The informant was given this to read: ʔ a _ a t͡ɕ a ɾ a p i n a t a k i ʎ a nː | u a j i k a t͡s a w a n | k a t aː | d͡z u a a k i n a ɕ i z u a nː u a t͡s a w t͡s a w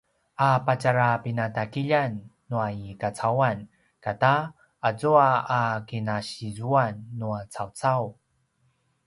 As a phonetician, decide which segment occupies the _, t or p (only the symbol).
p